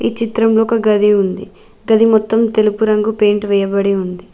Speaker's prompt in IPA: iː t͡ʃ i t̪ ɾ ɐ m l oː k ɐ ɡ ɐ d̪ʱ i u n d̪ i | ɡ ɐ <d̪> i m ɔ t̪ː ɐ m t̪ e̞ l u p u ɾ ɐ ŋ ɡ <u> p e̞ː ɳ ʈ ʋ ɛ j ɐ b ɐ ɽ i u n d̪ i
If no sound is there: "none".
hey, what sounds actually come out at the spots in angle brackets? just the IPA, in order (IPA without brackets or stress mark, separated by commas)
d̪, u